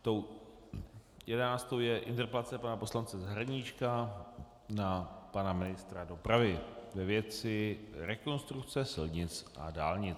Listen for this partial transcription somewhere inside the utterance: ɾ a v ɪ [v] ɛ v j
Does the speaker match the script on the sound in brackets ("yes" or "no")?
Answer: yes